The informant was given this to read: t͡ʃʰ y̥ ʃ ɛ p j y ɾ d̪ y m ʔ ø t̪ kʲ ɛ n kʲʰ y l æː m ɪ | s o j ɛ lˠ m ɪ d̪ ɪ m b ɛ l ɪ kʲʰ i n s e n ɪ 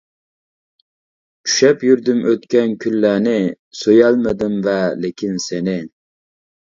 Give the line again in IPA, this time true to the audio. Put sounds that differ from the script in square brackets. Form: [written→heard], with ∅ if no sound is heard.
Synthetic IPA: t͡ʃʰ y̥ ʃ ɛ p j y ɾ d̪ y m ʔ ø t̪ kʲ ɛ n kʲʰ y [l→lː] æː [m→n] ɪ | s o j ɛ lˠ m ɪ d̪ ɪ m [b→v] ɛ l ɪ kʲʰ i n s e n ɪ

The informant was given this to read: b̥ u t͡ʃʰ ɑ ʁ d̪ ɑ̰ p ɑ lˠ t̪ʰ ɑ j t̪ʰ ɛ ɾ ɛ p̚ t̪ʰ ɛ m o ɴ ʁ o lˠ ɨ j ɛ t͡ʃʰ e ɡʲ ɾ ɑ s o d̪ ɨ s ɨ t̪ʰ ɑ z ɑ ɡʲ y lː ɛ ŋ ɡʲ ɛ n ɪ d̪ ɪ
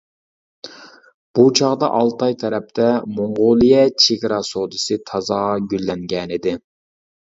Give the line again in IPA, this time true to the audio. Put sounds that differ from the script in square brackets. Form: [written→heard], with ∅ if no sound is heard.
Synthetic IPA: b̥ u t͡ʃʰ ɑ ʁ d̪ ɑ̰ [p→ʔ] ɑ lˠ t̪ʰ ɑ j t̪ʰ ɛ ɾ ɛ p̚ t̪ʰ ɛ m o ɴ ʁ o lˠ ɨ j ɛ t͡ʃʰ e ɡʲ ɾ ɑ s o d̪ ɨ s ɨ t̪ʰ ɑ z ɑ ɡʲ y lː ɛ ŋ ɡʲ ɛ n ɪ d̪ ɪ

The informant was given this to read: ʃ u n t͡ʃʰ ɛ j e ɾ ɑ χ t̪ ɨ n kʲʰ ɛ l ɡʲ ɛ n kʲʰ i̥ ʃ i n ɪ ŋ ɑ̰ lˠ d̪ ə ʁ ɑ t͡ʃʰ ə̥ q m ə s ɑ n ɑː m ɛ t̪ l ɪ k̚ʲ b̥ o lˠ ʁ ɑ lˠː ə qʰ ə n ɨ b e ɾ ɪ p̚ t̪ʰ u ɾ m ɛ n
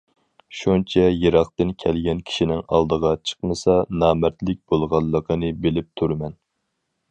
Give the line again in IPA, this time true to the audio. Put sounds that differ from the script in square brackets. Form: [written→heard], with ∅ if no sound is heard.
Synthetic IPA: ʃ u n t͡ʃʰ ɛ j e ɾ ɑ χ t̪ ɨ n kʲʰ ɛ l ɡʲ ɛ n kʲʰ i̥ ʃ i n ɪ ŋ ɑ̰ lˠ d̪ ə ʁ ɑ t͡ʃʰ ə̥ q m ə s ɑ n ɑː m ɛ t̪ l ɪ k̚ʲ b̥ o lˠ ʁ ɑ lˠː ə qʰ ə n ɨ b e [ɾ→l] ɪ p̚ t̪ʰ u ɾ m ɛ n

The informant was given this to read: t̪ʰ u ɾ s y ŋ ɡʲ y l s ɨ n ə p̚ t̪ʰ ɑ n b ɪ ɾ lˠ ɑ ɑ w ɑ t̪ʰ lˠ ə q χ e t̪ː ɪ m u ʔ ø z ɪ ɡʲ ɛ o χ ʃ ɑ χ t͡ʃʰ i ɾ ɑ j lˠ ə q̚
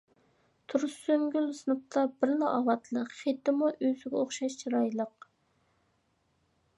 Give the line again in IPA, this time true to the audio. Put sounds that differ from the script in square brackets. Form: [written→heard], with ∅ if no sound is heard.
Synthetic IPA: t̪ʰ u ɾ s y ŋ ɡʲ y l s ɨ n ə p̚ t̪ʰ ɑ [n→∅] b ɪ ɾ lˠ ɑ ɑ w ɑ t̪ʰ lˠ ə q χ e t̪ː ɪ m u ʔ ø z ɪ ɡʲ ɛ o χ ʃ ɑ [χ→ʃ] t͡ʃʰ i ɾ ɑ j lˠ ə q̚

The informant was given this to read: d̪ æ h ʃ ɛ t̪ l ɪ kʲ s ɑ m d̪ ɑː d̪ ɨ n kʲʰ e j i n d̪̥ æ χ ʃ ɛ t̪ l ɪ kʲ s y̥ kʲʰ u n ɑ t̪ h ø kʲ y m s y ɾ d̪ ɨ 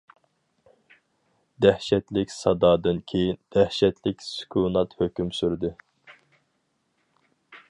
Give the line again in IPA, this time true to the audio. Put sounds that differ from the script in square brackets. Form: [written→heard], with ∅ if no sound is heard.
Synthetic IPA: d̪ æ h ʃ ɛ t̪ l ɪ kʲ s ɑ [m→∅] d̪ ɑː d̪ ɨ n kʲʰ e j i n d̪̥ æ [χ→h] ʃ ɛ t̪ l ɪ kʲ s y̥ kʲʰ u n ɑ t̪ h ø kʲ y m s y ɾ d̪ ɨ

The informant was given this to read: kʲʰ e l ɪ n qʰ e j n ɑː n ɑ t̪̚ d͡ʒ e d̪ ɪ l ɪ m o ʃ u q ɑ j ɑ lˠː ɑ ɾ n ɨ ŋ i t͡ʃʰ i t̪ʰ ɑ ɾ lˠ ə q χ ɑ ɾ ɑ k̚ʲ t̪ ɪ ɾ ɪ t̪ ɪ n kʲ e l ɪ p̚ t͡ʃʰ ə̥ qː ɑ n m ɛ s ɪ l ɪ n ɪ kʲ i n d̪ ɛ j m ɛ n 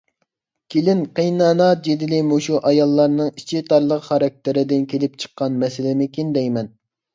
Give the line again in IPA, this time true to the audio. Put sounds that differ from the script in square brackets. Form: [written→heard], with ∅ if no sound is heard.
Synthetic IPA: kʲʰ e l ɪ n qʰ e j n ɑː n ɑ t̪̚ d͡ʒ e d̪ ɪ l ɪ m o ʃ u [q→ʔ] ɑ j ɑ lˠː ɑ ɾ n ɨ ŋ i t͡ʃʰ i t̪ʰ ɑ ɾ lˠ ə q χ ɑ ɾ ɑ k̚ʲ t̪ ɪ ɾ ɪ [t̪→d̪] ɪ n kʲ e l ɪ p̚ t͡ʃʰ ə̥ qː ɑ n m ɛ s ɪ l ɪ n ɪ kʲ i n d̪ ɛ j m ɛ n

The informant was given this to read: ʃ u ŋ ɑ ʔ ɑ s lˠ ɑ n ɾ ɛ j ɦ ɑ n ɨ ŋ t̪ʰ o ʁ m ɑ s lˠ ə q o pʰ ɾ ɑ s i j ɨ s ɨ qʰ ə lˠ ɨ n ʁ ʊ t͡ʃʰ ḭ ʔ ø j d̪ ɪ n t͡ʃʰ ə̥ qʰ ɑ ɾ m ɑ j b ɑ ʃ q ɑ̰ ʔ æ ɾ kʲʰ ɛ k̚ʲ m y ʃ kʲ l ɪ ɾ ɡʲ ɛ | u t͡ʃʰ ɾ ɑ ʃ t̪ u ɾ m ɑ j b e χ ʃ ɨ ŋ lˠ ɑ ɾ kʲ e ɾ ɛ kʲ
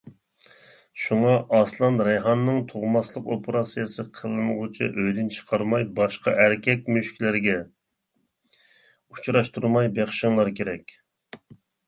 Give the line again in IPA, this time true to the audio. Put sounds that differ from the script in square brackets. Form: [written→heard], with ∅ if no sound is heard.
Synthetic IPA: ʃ u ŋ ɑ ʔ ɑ s lˠ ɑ n ɾ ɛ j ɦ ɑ [n→nː] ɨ ŋ t̪ʰ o ʁ m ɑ s lˠ ə q o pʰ ɾ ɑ s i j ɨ s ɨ qʰ ə lˠ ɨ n ʁ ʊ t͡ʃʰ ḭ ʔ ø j d̪ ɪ n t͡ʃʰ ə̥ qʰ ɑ ɾ m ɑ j b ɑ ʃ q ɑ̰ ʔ æ ɾ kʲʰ ɛ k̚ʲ m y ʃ kʲ l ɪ ɾ ɡʲ ɛ | u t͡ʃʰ ɾ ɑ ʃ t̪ u ɾ m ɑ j b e χ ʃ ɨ ŋ lˠ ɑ ɾ kʲ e ɾ ɛ kʲ

